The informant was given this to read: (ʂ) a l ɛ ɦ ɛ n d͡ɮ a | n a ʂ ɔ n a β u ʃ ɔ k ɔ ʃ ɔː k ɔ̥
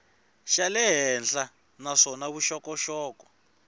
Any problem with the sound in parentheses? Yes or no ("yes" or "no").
yes